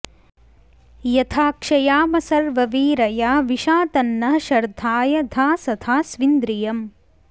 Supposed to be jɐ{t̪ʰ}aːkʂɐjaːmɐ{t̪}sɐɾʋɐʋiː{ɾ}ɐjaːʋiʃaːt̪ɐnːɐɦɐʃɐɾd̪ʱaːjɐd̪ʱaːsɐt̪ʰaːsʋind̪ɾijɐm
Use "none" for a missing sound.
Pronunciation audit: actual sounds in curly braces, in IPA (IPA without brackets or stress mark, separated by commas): t̪ʰ, none, ɾ